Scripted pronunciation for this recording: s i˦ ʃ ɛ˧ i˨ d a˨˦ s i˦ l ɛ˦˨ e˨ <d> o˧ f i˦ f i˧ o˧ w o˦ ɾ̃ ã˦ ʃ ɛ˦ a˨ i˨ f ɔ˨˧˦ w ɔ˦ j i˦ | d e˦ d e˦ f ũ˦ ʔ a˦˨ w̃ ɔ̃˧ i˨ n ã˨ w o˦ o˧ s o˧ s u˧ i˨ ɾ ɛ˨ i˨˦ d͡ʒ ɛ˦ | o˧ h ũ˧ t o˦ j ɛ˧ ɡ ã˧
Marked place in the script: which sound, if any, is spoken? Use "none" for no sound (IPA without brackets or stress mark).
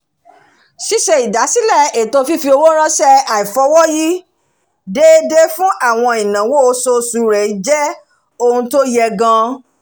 t